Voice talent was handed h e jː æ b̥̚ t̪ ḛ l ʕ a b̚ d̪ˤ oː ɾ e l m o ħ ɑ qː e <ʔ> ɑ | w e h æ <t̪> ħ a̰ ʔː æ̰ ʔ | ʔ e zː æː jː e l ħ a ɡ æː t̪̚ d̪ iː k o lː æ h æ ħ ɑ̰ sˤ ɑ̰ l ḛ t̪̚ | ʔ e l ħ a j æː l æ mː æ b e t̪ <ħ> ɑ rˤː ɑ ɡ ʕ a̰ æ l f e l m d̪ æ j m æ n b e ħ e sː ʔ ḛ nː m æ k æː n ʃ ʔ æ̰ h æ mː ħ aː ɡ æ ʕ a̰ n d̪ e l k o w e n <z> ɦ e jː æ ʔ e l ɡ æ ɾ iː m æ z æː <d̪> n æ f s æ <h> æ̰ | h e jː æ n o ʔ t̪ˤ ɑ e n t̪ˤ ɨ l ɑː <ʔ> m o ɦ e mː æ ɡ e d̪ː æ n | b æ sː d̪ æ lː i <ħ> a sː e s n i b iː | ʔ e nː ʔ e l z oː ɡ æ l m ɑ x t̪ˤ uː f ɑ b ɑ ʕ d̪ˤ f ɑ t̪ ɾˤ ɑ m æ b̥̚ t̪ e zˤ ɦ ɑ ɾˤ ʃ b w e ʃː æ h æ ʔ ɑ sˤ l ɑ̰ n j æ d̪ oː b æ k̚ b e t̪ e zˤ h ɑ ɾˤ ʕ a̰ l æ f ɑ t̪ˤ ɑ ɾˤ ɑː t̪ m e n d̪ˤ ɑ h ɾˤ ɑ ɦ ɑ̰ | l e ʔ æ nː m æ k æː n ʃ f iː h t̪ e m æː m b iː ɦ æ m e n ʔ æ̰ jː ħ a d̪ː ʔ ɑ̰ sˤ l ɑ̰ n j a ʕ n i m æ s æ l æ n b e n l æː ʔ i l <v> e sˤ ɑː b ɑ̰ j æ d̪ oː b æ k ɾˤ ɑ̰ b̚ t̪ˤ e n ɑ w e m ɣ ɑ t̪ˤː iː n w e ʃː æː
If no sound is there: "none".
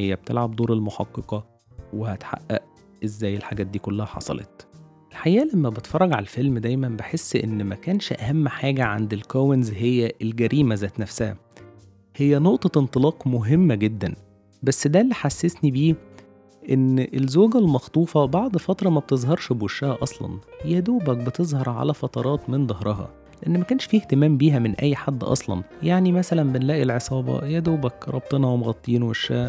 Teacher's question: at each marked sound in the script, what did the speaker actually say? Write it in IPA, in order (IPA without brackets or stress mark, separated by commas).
q, t̪, f, z, t̪, h, q, ħ, ʕ